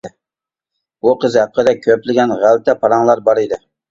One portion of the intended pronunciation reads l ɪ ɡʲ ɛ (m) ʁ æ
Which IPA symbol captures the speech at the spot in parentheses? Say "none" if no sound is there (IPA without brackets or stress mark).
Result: n